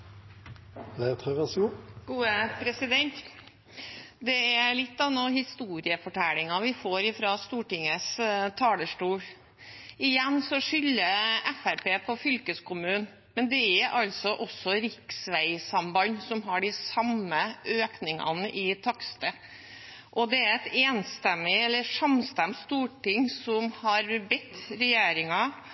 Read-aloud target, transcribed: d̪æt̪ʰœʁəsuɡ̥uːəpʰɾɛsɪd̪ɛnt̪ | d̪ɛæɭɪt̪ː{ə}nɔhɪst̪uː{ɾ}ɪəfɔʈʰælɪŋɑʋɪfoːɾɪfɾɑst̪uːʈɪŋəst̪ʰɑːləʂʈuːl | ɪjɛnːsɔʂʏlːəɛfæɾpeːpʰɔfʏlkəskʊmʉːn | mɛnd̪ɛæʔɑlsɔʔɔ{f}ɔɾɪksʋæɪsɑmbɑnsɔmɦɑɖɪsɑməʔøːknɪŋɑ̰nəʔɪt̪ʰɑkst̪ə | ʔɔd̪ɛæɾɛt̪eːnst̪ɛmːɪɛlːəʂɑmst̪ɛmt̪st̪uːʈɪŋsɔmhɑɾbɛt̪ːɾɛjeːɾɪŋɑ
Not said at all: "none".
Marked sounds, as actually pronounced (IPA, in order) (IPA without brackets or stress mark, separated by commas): ɑ, ɾ, s